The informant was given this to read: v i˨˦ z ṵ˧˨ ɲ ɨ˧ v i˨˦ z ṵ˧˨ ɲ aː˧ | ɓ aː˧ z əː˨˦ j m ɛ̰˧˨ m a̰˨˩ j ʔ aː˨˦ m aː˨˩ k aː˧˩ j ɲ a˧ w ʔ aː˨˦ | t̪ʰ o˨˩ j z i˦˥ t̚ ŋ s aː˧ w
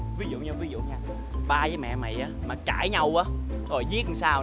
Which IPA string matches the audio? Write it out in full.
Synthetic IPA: v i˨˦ z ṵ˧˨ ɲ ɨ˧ v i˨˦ z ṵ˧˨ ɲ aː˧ | ɓ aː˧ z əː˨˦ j m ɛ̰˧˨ m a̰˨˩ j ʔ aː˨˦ m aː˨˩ k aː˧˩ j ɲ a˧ w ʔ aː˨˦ | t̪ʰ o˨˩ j z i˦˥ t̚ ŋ s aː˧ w